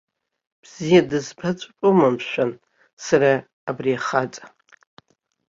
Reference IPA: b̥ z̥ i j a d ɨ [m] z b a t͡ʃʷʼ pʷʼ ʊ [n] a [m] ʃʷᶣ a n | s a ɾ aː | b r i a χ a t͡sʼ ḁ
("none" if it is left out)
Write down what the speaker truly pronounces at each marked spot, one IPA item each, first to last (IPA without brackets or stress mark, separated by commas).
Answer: none, m, m